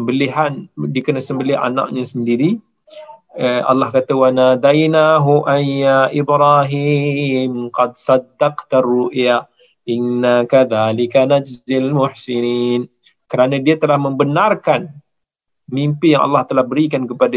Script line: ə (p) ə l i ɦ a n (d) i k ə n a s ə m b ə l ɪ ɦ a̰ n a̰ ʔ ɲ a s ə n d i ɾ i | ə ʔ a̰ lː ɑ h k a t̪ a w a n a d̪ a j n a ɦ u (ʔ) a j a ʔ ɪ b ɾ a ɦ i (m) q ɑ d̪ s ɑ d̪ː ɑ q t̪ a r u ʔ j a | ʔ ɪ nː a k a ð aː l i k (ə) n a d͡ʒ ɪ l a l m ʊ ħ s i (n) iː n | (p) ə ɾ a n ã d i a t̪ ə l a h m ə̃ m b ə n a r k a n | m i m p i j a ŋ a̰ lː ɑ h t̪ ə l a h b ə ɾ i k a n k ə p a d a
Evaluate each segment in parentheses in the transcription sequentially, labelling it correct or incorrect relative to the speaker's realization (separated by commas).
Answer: incorrect, correct, correct, correct, incorrect, correct, incorrect